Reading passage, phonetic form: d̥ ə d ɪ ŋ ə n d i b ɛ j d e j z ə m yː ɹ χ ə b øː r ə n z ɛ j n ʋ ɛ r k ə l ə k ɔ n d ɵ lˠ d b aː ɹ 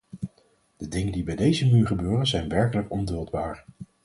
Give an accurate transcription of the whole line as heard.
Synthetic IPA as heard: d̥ ə d ɪ ŋ ə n d i b ɛ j d e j z ə m yː ɹ χ ə b øː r ə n z ɛ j n ʋ ɛ ɹ k ə l ə k ɔ n d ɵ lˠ d b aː ɹ